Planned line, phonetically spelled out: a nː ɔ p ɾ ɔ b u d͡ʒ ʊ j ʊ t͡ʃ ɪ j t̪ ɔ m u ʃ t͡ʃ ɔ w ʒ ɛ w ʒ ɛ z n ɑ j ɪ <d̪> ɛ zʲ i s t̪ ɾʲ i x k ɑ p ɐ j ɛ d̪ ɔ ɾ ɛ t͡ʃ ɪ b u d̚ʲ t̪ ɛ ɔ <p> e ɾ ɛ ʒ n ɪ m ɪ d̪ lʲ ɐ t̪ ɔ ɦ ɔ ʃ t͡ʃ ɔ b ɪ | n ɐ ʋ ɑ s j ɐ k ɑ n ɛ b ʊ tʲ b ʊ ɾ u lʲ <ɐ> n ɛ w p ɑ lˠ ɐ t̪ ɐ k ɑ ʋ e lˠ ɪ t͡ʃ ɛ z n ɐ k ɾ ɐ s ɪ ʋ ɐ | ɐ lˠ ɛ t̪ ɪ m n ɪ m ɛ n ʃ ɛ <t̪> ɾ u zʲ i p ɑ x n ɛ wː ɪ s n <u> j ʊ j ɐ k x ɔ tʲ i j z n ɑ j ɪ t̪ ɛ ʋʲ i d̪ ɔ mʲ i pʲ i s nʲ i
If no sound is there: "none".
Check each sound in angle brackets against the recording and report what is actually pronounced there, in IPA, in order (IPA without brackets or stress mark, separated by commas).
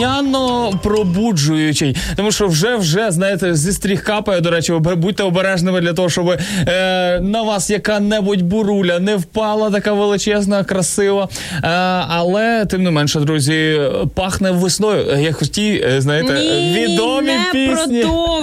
t̪, b, ɐ, d̪, ɔ